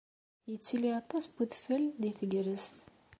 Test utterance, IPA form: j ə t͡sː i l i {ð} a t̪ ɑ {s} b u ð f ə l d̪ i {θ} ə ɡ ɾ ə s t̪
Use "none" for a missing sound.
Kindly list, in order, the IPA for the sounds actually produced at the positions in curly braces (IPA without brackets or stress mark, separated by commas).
none, s, θ